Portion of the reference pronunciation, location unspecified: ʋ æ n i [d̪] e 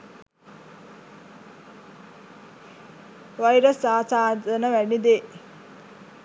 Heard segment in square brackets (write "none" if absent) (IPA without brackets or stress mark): d̪